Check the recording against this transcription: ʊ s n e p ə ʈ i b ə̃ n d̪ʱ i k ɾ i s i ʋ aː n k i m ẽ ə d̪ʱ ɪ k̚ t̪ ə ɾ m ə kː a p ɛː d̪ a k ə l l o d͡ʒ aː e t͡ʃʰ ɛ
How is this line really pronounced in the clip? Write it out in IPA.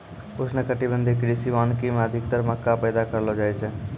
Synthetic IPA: ʊ s n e k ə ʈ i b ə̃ n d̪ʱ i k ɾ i s i ʋ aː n k i m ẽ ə d̪ʱ ɪ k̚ t̪ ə ɾ m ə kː a p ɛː d̪ a k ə ɾ l o d͡ʒ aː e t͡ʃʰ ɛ